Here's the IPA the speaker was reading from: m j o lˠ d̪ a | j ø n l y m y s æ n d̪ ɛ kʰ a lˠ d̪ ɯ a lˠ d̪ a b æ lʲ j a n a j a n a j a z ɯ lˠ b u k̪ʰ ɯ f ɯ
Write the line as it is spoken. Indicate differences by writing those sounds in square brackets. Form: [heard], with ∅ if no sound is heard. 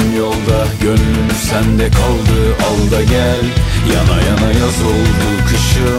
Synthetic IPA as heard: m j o lˠ d̪ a | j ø n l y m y s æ n d̪ ɛ kʰ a lˠ d̪ ɯ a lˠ d̪ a [ɟ] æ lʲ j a n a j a n a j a z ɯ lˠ b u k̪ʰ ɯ [ʃ] ɯ